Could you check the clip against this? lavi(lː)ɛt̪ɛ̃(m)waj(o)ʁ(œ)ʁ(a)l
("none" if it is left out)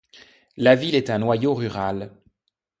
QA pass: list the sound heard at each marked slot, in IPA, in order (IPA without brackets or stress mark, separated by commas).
l, n, o, y, a